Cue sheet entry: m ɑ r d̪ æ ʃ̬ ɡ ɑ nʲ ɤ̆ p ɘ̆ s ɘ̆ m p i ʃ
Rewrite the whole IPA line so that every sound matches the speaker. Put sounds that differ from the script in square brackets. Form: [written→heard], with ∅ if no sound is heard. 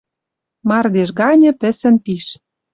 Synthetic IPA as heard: m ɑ r d̪ [æ→e] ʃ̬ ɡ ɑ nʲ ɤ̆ p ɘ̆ s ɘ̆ [m→n] p i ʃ

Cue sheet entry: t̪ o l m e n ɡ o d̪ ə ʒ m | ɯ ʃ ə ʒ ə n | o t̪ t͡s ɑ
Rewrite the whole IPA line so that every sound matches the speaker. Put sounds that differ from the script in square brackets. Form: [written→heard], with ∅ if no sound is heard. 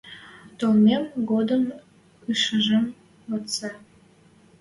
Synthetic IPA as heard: t̪ o l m e [n→m] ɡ o d̪ ə [ʒ→∅] m | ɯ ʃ ə ʒ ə [n→m] | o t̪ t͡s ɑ

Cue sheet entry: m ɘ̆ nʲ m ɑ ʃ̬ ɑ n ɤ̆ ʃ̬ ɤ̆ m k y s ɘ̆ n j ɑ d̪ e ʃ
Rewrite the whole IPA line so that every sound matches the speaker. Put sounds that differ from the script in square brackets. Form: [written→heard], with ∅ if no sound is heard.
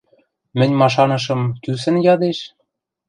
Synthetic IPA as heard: m ɘ̆ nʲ m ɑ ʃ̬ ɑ n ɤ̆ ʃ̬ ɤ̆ m k y s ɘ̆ n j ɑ d̪ e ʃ

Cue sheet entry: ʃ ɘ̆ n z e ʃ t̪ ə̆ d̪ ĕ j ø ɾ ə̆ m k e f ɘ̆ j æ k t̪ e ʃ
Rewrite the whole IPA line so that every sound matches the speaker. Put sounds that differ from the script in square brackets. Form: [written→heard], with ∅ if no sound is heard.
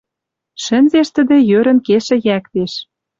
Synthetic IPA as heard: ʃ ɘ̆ n z e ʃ t̪ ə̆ d̪ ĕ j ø ɾ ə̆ [m→n] k e [f→ʃ] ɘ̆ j æ k t̪ e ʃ

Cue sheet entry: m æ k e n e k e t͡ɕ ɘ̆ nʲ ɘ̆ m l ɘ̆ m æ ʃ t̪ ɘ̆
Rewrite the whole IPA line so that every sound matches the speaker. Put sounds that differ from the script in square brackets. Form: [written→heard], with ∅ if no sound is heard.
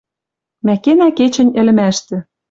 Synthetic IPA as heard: m æ k e n [e→æ] k e t͡ɕ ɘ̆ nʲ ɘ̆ [m→∅] l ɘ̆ m æ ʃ t̪ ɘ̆

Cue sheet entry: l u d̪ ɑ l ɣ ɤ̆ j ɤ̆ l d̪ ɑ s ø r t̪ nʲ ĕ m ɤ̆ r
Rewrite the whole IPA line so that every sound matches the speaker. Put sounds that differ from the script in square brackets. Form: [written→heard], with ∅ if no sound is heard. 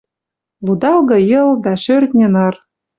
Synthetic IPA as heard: l u d̪ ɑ l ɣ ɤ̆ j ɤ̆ l d̪ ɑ [s→ʃ] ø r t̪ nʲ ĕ [m→n] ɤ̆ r

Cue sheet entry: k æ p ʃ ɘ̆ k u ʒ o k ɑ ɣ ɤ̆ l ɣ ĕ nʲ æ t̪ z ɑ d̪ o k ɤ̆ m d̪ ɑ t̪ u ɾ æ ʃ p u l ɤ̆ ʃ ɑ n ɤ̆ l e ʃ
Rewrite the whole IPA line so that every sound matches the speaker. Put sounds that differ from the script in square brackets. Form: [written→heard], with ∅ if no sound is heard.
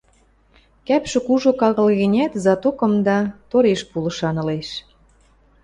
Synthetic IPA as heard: k æ p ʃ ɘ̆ k u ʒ o k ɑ ɣ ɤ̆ l ɣ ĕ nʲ æ t̪ z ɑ [d̪→t̪] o k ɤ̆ m d̪ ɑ t̪ [u→o] ɾ [æ→e] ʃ p u l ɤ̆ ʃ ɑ n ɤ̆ l e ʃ

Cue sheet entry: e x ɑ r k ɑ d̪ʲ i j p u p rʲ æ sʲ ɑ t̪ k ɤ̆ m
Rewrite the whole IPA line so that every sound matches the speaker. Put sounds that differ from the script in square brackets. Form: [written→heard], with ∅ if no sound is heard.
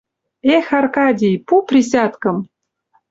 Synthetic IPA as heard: e x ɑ r k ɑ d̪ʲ i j p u p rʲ [æ→i] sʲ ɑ t̪ k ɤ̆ m

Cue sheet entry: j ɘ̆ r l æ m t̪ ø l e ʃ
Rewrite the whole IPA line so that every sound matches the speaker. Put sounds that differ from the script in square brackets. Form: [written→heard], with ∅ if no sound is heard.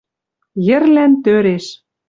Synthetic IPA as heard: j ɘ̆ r l æ [m→n] t̪ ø [l→ɾ] e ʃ

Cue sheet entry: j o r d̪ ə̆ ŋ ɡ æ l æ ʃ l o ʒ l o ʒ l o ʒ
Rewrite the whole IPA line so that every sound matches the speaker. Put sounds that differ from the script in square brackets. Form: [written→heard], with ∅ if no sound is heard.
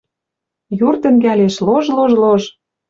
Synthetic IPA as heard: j [o→u] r [d̪→t̪] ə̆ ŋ ɡ æ l [æ→e] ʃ l o ʒ l o ʒ l o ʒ

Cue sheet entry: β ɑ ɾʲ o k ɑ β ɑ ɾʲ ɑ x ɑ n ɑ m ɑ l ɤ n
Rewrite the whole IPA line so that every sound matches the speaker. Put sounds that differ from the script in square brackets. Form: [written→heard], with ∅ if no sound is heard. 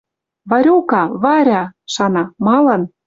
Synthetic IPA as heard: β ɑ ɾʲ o k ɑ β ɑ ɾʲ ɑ [x→ʃ] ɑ n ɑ m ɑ l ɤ n

